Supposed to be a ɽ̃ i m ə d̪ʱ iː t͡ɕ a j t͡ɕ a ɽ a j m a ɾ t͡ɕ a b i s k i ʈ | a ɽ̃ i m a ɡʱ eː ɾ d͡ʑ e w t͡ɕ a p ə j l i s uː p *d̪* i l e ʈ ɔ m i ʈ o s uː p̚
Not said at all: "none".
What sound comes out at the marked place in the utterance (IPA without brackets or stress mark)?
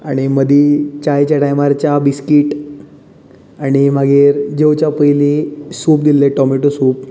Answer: d̪